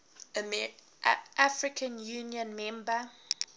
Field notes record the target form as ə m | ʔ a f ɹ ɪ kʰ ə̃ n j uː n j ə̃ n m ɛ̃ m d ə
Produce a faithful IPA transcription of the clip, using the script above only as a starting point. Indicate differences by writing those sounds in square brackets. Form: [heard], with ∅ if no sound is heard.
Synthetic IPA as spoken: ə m | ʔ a f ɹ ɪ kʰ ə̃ n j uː n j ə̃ n m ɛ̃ m [b] ə